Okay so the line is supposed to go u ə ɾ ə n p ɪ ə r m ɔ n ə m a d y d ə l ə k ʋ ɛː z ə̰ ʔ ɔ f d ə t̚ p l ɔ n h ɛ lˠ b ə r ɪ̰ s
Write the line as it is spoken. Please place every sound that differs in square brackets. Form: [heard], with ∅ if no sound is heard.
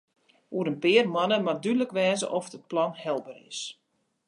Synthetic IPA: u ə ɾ ə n p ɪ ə r m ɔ n ə m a d y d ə l ə k ʋ ɛː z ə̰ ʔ ɔ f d ə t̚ p l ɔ n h ɛ lˠ b ə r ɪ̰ s